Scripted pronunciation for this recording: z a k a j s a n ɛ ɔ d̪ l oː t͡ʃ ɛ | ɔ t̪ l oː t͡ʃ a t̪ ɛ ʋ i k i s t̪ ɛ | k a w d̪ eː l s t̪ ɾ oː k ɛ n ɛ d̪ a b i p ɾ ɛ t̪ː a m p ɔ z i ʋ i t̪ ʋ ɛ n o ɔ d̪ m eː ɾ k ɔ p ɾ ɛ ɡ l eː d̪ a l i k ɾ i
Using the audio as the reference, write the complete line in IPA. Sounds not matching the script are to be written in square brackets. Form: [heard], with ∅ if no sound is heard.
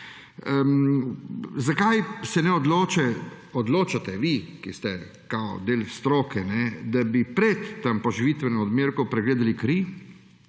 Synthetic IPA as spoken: z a k a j s [ɛ] n ɛ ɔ d̪ l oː t͡ʃ ɛ | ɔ [d̪] l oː t͡ʃ a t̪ ɛ ʋ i k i s t̪ ɛ | k a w d̪ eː l s t̪ ɾ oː k ɛ n ɛ d̪ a b i p ɾ ɛ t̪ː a m p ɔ [ʒ] i ʋ i t̪ ʋ ɛ n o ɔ d̪ m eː ɾ k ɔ p ɾ ɛ ɡ l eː d̪ a l i k ɾ i